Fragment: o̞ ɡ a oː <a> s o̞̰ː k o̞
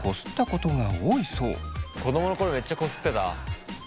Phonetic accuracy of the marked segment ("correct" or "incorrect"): incorrect